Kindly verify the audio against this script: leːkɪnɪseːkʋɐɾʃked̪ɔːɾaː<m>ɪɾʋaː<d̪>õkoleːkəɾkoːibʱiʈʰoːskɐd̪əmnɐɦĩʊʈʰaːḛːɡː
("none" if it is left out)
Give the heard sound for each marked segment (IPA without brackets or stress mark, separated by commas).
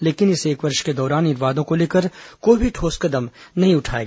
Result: n, d̪